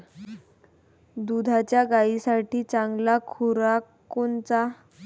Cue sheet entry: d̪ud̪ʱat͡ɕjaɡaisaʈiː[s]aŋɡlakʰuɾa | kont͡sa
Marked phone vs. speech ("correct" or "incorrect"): incorrect